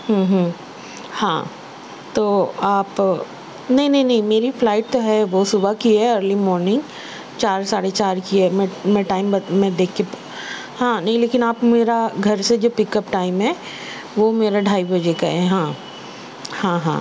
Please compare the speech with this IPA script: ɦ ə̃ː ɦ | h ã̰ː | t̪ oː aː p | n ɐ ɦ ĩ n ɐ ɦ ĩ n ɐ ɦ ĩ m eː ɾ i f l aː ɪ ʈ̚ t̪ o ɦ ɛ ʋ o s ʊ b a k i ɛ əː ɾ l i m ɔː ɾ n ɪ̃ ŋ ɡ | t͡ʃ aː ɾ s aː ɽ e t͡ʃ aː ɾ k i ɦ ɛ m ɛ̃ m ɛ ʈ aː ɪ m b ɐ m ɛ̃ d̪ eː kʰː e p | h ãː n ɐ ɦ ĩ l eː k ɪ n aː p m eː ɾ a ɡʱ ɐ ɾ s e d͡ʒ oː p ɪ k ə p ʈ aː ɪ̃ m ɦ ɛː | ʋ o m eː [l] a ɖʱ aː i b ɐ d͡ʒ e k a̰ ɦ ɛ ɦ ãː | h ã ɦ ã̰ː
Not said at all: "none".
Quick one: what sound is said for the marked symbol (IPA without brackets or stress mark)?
ɾ